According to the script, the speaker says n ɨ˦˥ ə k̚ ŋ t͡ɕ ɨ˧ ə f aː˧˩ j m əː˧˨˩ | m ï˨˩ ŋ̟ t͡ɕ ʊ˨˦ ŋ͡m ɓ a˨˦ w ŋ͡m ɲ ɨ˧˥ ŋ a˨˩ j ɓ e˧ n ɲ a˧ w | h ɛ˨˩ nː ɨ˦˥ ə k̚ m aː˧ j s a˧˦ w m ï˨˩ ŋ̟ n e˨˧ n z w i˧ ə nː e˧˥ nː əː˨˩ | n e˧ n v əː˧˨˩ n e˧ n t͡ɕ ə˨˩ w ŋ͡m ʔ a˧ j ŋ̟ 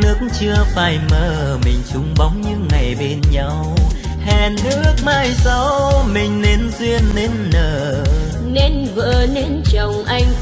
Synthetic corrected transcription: n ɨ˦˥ ə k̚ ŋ t͡ɕ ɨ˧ ə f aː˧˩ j m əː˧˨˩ | m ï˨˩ ŋ̟ t͡ɕ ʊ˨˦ ŋ͡m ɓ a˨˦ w ŋ͡m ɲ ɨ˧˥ ŋ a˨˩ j ɓ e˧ n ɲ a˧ w | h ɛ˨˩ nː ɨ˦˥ ə k̚ m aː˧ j s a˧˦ w m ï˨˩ ŋ̟ n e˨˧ n z w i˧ ə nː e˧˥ nː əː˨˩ | n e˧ n v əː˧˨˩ n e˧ n t͡ɕ ə˨˩ w ŋ͡m ʔ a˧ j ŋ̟

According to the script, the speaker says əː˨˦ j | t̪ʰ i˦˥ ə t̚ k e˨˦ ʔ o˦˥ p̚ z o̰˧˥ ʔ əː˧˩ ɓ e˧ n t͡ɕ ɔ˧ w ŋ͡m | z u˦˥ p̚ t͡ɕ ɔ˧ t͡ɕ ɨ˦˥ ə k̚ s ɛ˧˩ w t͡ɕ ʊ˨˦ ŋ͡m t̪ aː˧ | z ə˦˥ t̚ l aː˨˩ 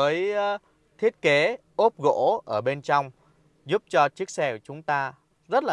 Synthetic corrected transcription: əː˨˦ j | t̪ʰ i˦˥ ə t̚ k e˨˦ ʔ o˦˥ p̚ ɣ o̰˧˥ ʔ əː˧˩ ɓ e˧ n t͡ɕ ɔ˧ w ŋ͡m | z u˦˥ p̚ t͡ɕ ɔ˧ t͡ɕ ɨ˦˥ ə k̚ s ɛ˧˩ w t͡ɕ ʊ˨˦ ŋ͡m t̪ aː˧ | z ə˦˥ t̚ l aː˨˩

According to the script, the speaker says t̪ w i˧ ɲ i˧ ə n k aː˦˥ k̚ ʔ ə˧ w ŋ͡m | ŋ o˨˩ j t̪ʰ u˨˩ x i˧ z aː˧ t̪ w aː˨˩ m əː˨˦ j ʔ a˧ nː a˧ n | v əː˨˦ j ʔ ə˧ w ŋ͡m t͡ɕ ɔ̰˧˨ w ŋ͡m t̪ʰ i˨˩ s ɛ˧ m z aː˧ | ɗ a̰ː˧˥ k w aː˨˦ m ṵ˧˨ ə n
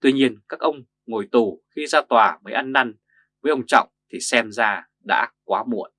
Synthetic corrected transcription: t̪ w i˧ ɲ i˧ ə n k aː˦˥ k̚ ʔ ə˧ w ŋ͡m | ŋ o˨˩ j t̪ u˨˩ x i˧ z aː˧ t̪ w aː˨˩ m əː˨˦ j ʔ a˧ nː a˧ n | v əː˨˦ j ʔ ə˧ w ŋ͡m t͡ɕ ɔ̰˧˨ w ŋ͡m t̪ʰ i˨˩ s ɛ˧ m z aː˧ | ɗ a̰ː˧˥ k w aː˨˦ m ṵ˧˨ ə n

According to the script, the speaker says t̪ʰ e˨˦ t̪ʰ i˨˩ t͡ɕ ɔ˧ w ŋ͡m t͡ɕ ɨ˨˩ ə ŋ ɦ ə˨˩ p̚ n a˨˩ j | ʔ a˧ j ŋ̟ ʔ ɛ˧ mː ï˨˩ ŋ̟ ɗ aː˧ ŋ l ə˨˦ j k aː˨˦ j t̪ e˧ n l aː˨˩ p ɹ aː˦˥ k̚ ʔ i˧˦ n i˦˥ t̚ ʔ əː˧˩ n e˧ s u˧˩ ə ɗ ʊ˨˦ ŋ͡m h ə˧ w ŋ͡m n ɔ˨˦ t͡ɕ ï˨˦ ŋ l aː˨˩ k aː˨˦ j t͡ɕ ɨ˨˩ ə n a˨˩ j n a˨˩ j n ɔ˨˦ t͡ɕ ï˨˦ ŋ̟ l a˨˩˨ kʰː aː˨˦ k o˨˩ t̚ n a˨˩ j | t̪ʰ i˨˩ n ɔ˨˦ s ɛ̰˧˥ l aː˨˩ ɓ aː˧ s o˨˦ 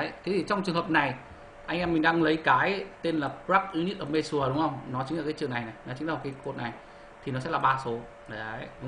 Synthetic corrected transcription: t̪ʰ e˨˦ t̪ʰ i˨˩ t͡ɕ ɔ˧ w ŋ͡m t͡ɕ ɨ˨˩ ə ŋ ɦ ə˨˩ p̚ n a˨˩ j | ʔ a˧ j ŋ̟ ʔ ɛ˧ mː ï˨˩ ŋ̟ ɗ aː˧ ŋ l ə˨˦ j k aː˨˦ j t̪ e˧ n l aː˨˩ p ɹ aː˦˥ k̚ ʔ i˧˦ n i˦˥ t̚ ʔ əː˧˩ m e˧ s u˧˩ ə ɗ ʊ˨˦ ŋ͡m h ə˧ w ŋ͡m n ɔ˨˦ t͡ɕ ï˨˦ ŋ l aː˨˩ k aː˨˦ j t͡ɕ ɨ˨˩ ə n a˨˩ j n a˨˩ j n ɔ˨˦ t͡ɕ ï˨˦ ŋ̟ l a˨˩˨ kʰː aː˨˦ k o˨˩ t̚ n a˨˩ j | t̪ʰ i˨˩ n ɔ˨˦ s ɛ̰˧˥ l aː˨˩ ɓ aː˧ s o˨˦

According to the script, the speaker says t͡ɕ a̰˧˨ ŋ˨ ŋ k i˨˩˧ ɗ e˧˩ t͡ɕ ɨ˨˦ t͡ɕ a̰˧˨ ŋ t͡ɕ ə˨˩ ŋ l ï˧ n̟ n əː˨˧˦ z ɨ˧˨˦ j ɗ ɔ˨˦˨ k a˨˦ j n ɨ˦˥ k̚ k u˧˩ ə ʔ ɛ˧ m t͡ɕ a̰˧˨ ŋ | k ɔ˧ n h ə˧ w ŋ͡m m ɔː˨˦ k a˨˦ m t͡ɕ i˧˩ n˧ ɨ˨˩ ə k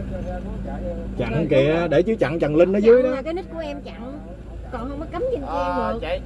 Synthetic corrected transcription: t͡ɕ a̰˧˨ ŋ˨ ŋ k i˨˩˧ ɗ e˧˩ t͡ɕ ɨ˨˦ t͡ɕ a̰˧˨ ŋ t͡ɕ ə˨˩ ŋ l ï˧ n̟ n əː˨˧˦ z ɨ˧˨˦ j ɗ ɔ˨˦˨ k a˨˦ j n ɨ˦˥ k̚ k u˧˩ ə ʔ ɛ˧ m t͡ɕ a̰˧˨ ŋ | k ɔ˨˩ n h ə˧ w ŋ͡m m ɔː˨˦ k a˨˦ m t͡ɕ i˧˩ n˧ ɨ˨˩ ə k

